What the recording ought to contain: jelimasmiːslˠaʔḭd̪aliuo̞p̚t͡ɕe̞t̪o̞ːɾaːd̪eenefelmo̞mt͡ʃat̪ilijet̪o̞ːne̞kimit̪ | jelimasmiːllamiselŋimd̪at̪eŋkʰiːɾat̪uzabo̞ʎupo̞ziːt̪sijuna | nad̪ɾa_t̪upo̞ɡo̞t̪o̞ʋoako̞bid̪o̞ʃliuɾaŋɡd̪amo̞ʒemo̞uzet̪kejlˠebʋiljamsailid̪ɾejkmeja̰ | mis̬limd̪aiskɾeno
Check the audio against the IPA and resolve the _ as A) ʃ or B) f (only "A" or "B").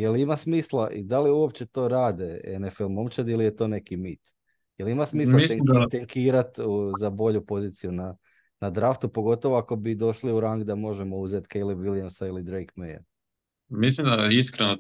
B